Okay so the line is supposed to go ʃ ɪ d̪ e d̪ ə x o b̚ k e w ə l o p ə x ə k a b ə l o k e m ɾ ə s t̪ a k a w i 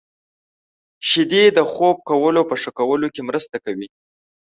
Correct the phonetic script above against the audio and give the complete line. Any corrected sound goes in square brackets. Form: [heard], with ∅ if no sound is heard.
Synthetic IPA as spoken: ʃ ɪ d̪ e d̪ ə x o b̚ k [a] w ə l o p ə [ʂ] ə k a [w] ə l o k e m ɾ ə s t̪ a k a w i